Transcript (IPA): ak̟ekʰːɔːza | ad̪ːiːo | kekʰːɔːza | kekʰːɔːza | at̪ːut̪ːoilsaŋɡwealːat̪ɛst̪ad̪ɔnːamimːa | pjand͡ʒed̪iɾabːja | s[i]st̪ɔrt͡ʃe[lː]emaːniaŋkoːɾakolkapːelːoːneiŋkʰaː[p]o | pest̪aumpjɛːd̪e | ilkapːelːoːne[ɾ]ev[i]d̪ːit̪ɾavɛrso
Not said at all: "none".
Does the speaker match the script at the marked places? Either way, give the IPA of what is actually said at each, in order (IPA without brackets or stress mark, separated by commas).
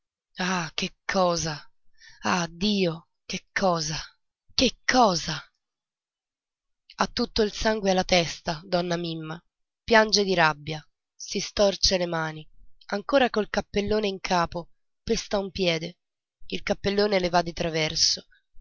i, l, p, l, a